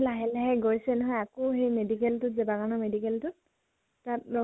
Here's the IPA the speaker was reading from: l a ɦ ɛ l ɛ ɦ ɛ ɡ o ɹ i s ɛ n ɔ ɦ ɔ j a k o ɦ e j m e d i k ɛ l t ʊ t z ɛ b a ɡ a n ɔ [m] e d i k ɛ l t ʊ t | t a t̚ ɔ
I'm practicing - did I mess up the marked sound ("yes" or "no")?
no